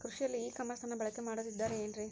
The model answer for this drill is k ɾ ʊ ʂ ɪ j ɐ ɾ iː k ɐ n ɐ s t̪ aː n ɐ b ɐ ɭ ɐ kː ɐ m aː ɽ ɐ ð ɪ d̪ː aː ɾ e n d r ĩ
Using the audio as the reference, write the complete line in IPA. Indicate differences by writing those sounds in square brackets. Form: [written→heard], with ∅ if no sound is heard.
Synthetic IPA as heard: k ɾ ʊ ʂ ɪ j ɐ [ɾ→l] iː k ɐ [n→m] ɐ s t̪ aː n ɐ b ɐ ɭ ɐ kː ɐ m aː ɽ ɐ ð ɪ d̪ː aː ɾ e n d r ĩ